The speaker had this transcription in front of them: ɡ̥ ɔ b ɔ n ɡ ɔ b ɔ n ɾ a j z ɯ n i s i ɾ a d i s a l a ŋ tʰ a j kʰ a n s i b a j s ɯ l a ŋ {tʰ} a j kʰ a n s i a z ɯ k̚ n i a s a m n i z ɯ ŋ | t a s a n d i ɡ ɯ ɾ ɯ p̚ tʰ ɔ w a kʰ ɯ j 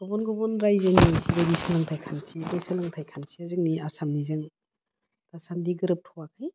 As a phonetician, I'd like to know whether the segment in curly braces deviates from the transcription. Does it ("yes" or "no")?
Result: no